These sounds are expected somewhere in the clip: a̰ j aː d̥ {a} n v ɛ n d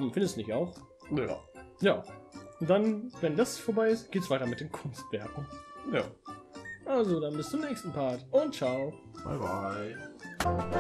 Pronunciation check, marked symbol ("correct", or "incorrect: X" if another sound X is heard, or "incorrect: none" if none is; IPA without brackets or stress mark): correct